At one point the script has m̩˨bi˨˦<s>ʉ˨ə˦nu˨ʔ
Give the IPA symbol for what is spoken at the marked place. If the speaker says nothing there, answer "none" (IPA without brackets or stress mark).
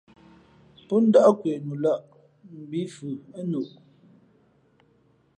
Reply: f